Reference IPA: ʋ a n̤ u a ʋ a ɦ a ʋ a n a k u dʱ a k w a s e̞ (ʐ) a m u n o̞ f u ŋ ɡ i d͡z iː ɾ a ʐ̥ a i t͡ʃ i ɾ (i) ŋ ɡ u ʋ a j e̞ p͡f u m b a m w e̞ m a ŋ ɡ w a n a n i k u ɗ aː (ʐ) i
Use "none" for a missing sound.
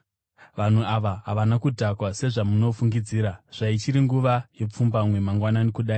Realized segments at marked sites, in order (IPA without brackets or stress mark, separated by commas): ʐ, i, none